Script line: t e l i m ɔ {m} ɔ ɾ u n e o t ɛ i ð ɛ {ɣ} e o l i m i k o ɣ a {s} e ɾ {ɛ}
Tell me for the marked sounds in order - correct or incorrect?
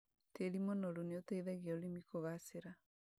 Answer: incorrect, correct, correct, incorrect

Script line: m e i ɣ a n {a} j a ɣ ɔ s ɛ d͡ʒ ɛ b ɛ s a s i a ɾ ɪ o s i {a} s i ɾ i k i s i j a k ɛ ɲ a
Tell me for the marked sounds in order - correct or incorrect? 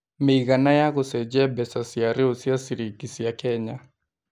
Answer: correct, correct

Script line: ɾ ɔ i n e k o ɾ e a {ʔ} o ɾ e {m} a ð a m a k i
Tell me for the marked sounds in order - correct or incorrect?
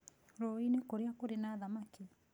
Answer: incorrect, incorrect

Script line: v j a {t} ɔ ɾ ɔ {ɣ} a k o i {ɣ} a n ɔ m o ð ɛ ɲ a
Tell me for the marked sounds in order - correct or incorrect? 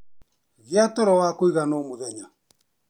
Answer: correct, incorrect, correct

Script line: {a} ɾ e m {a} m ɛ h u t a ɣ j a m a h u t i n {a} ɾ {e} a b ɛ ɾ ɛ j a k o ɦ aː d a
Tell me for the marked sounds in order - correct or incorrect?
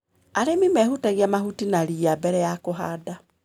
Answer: correct, incorrect, correct, incorrect

